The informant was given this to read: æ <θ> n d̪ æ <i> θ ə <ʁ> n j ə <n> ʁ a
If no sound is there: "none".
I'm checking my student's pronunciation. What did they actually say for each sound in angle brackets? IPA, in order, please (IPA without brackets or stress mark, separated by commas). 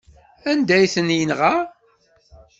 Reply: none, j, none, n